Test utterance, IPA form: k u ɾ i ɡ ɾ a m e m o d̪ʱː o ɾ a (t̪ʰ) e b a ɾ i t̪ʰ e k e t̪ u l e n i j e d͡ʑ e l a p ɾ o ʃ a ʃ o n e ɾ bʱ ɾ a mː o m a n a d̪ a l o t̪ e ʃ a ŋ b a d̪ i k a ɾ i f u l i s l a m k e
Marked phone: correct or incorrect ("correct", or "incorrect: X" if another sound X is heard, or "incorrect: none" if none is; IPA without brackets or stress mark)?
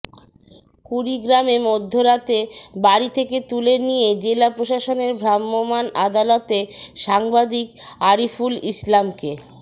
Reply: incorrect: t̪